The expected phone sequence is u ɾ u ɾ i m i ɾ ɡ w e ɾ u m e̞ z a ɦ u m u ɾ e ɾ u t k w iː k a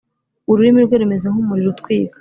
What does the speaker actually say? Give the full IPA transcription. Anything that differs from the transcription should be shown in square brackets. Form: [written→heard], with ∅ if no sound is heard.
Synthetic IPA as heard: u ɾ u ɾ i m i ɾ ɡ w e ɾ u m e̞ z a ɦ u m u ɾ [e→i] ɾ u t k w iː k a

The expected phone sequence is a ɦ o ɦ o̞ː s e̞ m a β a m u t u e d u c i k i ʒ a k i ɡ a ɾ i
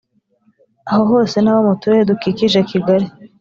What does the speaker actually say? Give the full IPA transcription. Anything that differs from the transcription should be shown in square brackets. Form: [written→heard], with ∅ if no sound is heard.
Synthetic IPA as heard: a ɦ o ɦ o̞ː s e̞ [m→n] a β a m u t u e d u [c→k] i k i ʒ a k i ɡ a ɾ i

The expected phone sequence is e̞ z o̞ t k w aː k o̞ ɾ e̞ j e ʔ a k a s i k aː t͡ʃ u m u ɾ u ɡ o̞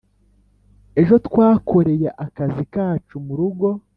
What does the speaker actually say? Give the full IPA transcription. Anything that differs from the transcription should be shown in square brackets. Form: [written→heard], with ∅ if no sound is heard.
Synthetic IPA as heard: e̞ [z→ʒ] o̞ t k w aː k o̞ ɾ e̞ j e ʔ a k a [s→z] i k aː t͡ʃ u m u ɾ u ɡ o̞

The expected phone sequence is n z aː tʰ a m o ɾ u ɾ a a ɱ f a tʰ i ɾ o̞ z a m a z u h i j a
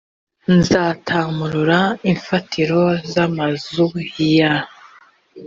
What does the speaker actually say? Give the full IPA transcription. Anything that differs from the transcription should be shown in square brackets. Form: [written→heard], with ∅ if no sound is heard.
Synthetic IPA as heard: n z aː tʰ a m [o→u] ɾ u ɾ a [a→i] ɱ f a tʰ i ɾ o̞ z a m a z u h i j a

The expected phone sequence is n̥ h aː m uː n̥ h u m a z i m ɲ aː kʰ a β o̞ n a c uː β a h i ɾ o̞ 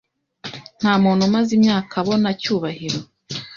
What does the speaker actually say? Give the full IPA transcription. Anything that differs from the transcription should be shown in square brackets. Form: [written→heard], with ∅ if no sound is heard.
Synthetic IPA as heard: n̥ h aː m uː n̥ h u m a z i m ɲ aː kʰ a β o̞ n a c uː β a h i ɾ o̞

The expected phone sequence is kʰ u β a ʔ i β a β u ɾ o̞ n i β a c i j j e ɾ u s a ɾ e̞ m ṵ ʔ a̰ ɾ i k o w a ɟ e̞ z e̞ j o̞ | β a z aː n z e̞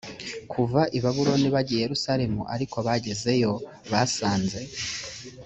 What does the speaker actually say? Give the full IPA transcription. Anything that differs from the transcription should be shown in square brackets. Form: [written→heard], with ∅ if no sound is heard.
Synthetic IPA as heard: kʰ u [β→v] a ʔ i β a β u ɾ o̞ n i β a [c→ɟ] i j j e ɾ u s a ɾ e̞ m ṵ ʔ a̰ ɾ i k o [w→β] a ɟ e̞ z e̞ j o̞ | β a [z→s] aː n z e̞

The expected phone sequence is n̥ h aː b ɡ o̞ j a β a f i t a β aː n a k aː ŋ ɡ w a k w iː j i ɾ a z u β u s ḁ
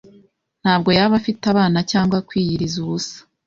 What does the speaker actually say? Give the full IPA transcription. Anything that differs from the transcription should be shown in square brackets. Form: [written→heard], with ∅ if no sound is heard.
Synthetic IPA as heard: n̥ h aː b ɡ o̞ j a β a f i t a β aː n a [k→c] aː ŋ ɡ w a k w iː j i ɾ [a→i] z u β u s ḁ

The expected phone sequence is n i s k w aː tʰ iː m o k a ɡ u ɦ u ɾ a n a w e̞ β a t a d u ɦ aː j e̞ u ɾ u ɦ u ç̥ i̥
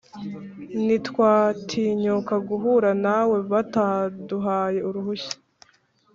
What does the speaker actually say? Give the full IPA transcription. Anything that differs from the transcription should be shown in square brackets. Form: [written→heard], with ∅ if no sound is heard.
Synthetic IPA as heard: n i [s→t] k w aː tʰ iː [m→ɲ] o k a ɡ u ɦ u ɾ a n a w e̞ β a t a d u ɦ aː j e̞ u ɾ u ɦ u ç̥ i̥

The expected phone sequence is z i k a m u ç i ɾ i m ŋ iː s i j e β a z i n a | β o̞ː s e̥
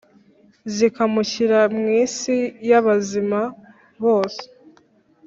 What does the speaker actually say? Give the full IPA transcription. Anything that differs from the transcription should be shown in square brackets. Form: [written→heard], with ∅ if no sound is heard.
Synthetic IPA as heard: z i k a m u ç i ɾ [i→a] m ŋ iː s i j [e→a] β a z i [n→m] a | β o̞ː s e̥

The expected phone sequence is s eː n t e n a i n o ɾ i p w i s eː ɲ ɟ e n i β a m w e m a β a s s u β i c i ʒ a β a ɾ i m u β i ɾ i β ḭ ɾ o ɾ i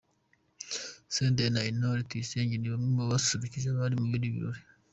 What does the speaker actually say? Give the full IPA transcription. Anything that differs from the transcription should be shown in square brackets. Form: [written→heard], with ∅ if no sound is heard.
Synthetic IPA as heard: s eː n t e n a i n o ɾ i [p→t] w i s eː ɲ ɟ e n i β a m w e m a β a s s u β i c i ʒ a β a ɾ i m u β i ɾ i β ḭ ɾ o ɾ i

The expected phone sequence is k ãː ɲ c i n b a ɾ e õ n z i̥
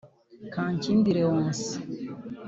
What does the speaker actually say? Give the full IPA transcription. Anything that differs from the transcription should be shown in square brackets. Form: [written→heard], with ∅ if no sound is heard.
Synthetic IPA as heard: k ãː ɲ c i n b [a→i] ɾ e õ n [z→s] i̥

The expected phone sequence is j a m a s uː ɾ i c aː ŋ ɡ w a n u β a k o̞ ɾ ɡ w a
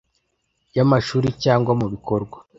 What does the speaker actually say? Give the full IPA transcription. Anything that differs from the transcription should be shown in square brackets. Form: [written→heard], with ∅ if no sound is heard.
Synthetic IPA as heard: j a m a [s→ʃ] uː ɾ i c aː ŋ ɡ w a [n→m] u β [a→i] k o̞ ɾ ɡ w a

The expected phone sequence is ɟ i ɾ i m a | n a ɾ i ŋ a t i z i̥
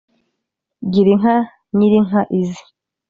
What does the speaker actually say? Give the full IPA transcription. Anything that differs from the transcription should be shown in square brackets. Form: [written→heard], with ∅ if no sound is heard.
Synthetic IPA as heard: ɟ i ɾ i [m→ŋ] a | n [a→i] ɾ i ŋ a [t→ʔ] i z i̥

